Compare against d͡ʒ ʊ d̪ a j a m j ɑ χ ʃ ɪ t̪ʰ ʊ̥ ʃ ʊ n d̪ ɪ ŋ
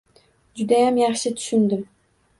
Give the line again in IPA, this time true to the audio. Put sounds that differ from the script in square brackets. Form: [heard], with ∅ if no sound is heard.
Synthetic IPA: d͡ʒ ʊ d̪ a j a m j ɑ χ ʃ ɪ t̪ʰ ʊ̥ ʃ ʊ n d̪ ɪ [m]